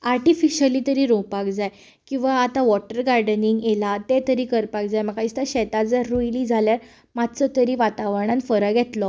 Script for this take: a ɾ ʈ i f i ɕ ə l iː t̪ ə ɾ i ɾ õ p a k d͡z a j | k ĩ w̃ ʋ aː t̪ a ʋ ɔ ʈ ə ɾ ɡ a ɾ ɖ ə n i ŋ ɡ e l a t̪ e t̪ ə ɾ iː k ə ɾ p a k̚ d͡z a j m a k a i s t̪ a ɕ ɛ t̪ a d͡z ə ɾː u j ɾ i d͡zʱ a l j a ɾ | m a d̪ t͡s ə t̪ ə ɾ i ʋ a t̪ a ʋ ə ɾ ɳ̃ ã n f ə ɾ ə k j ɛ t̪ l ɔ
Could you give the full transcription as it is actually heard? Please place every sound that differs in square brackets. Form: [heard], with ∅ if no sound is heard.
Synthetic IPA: a ɾ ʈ i f i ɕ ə l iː t̪ ə ɾ i ɾ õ p a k d͡z a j | k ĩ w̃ ʋ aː t̪ a ʋ ɔ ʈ ə ɾ ɡ a ɾ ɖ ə n i ŋ ɡ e l a t̪ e t̪ ə ɾ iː k ə ɾ p a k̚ d͡z a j m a k a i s t̪ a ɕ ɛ t̪ a d͡z ə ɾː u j [l] i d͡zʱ a l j a ɾ | m a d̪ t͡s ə t̪ ə ɾ i ʋ a t̪ a ʋ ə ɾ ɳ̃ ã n f ə ɾ ə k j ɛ t̪ l ɔ

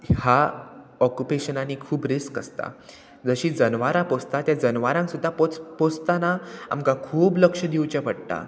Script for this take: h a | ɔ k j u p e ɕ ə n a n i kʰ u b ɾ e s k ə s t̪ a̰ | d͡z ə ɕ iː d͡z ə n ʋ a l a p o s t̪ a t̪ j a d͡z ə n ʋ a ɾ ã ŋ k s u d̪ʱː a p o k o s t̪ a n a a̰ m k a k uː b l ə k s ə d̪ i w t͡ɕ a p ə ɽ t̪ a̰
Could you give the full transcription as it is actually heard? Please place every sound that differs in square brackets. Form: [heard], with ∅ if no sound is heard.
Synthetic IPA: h a | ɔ k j u p e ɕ ə n a n i kʰ [uː] b ɾ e s k ə s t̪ a̰ | d͡z ə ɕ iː d͡z ə n ʋ a [ɾ] a p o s t̪ a t̪ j a d͡z ə n ʋ a ɾ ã ŋ k s u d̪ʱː a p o [p] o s t̪ a n a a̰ m k a [kʰ] uː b l ə k [ʂ] ə d̪ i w t͡ɕ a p ə ɽ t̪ a̰

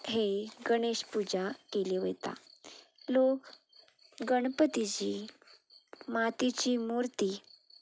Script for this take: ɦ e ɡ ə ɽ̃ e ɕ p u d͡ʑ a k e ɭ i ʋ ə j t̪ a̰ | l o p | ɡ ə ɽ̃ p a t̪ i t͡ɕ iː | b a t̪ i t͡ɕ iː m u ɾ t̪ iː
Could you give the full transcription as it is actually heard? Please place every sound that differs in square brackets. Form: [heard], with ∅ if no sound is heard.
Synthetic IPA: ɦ e ɡ ə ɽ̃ e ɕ p u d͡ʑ a k e [l] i ʋ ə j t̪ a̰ | l o [k] | ɡ ə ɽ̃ p [ə] t̪ i t͡ɕ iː | [m] a t̪ i t͡ɕ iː m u ɾ t̪ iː

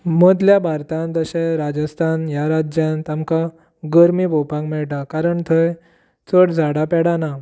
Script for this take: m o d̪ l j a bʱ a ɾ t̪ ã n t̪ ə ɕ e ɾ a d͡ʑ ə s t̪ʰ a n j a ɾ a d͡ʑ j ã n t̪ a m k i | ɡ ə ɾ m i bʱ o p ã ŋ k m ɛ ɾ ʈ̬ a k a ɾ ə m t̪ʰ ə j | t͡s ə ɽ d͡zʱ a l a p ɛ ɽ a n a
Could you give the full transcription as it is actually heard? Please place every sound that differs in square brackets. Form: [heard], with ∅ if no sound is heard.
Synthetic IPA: m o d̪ l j a bʱ a ɾ t̪ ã n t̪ ə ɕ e ɾ a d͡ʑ ə s t̪ʰ a n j a ɾ a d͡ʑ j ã n t̪ a m k [a] | ɡ ə ɾ m i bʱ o p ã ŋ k m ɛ [ɭ] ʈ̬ a k a ɾ ə [ɳ] t̪ʰ ə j | t͡s ə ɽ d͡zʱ a [ɽ] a p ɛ ɽ a n a

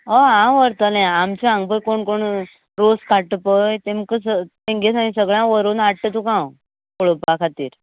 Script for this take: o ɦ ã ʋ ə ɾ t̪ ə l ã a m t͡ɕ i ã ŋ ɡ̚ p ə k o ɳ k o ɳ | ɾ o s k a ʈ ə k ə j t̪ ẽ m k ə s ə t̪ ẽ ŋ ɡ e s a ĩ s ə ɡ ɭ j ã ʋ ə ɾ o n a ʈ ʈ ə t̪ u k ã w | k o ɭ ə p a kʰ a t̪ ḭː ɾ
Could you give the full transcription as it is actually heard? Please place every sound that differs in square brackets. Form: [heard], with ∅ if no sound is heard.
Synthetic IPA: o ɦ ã ʋ ə ɾ t̪ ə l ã a m t͡ɕ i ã ŋ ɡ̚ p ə k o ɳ k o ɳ | ɾ o s k a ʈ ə [p] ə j t̪ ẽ m k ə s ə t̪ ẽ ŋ ɡ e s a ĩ s ə ɡ ɭ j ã ʋ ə ɾ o n a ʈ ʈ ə t̪ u k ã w | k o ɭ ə p a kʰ a t̪ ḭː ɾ

